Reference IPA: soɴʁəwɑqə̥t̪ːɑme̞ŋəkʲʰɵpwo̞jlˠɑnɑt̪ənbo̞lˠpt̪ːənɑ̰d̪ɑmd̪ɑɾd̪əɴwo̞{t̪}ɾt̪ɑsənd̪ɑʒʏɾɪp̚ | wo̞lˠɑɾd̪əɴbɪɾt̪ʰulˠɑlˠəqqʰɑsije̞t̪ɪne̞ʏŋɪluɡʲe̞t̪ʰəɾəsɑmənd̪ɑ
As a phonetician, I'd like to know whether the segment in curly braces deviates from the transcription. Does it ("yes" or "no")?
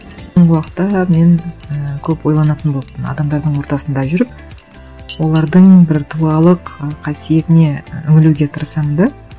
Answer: yes